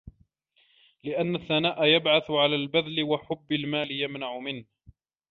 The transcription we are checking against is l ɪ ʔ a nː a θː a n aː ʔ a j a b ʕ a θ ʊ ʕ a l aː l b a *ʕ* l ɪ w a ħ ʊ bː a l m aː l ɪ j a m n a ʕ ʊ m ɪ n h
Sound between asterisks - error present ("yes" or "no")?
yes